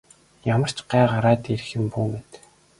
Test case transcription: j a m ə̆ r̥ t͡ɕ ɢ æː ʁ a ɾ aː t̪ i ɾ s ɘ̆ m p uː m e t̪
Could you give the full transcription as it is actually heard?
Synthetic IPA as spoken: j a m ə̆ r̥ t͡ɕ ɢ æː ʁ a ɾ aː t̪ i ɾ x ɘ̆ m p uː m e t̪